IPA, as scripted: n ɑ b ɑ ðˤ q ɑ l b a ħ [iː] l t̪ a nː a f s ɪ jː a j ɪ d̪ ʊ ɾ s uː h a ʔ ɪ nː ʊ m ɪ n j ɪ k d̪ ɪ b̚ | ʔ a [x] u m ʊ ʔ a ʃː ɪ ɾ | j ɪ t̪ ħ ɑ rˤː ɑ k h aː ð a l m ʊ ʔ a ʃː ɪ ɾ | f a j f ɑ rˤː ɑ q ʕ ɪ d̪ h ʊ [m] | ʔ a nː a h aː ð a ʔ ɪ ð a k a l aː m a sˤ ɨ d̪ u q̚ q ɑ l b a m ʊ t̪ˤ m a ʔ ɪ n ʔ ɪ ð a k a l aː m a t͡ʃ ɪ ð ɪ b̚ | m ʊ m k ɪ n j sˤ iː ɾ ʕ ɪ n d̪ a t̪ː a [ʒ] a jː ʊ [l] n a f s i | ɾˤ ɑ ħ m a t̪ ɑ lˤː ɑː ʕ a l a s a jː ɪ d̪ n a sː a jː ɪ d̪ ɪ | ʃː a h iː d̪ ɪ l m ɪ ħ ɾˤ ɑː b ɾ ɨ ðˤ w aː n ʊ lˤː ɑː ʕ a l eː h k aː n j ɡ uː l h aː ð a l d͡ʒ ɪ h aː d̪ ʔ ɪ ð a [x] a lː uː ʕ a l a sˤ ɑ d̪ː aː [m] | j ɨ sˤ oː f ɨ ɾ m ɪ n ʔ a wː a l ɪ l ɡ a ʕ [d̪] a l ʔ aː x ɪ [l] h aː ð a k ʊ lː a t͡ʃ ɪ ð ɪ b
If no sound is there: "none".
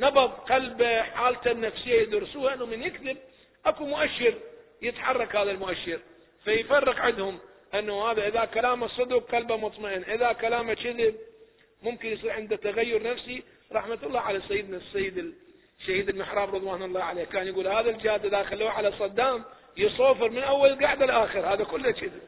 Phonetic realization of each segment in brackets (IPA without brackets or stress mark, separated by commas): aː, k, m, ɣ, ɾ, x, m, d̪, ɾ